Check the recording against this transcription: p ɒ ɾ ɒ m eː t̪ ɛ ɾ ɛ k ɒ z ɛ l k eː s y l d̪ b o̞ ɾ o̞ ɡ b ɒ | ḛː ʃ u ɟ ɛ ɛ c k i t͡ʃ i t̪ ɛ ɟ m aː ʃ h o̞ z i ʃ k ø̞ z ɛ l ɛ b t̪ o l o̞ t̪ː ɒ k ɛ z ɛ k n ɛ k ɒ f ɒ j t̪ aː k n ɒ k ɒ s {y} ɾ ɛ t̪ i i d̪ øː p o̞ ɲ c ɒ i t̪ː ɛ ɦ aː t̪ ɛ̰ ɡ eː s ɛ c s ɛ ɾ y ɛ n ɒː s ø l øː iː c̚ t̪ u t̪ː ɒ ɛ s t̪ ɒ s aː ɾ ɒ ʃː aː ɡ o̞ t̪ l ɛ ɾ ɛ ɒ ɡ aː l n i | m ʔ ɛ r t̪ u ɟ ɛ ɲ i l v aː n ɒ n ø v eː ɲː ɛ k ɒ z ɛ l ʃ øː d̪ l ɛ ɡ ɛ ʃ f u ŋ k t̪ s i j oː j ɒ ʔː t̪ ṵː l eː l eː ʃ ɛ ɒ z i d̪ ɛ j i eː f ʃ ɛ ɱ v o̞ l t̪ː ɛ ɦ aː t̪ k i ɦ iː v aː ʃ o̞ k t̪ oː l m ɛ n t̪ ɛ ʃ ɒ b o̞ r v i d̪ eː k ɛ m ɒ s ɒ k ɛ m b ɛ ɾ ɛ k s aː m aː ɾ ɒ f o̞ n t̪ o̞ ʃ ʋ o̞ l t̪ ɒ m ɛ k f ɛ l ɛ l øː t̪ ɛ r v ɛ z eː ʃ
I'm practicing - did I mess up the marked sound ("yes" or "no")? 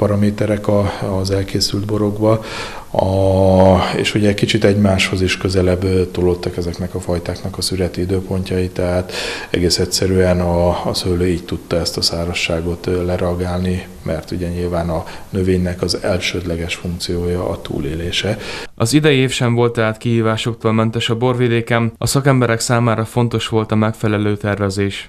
no